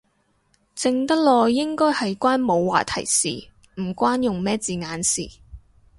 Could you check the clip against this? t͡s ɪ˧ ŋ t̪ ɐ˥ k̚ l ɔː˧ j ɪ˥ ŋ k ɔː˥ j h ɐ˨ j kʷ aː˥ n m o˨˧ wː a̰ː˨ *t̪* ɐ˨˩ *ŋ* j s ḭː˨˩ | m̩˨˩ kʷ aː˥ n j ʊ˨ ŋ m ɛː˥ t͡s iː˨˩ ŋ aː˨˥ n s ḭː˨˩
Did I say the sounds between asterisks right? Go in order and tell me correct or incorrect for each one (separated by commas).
incorrect, incorrect